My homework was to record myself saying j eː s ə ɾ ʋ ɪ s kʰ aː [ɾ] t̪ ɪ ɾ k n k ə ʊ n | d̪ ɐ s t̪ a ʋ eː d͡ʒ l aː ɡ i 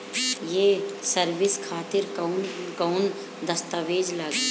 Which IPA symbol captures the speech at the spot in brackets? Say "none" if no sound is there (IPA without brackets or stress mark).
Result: none